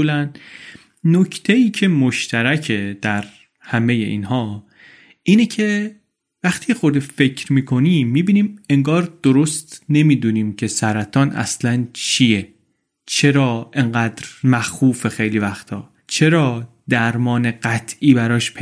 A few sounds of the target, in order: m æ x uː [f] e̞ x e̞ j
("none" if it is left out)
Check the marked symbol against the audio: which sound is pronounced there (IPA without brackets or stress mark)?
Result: f